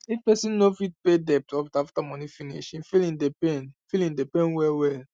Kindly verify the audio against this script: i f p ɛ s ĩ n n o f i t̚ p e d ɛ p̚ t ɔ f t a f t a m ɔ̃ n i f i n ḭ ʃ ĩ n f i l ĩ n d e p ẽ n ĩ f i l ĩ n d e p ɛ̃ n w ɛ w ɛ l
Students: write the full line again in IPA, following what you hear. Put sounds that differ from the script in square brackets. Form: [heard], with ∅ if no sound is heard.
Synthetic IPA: i f p ɛ s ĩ n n o f i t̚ p e d ɛ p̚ t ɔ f t a f t a m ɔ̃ n i f i n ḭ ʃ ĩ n f i l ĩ n d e p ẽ n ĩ f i l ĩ n d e p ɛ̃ n w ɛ w ɛ l